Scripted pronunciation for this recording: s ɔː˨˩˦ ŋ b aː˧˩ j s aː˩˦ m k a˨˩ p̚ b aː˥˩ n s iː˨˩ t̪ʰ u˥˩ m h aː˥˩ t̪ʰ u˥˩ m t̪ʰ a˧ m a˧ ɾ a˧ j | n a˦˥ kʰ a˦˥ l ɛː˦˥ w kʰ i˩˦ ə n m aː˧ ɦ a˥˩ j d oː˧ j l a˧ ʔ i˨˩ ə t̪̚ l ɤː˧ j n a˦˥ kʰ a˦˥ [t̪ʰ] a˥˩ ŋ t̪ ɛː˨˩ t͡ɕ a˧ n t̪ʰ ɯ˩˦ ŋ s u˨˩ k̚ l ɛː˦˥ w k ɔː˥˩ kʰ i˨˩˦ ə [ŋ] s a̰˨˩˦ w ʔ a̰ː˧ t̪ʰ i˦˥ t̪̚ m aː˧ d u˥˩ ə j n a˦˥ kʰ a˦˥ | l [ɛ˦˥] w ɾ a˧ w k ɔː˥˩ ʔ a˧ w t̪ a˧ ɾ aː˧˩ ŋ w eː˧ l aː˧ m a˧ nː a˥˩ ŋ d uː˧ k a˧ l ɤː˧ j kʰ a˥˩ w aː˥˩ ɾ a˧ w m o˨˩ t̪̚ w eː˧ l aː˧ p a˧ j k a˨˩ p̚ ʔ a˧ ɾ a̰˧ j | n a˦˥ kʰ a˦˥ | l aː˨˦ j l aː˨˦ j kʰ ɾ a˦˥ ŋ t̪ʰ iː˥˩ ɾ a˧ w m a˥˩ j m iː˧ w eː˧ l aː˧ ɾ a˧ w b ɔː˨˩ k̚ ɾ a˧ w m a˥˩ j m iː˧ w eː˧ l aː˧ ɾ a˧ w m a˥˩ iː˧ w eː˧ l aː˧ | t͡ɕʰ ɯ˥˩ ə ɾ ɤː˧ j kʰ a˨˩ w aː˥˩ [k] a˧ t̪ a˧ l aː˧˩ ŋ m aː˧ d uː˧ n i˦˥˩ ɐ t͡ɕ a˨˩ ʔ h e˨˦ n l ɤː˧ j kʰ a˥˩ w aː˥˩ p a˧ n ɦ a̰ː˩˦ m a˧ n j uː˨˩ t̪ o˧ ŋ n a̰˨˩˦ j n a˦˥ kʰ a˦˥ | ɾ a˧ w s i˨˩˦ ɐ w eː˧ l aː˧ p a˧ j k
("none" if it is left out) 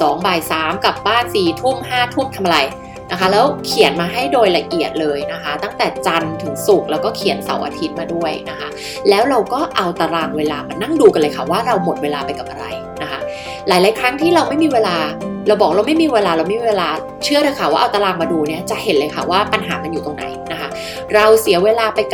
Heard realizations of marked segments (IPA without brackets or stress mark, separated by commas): t̪, n, ɛː˦˥, ʔ